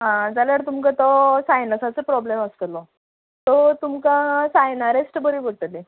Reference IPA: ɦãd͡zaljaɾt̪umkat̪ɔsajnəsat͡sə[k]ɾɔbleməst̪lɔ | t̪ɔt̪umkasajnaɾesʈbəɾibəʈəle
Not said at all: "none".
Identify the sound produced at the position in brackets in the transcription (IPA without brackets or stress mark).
p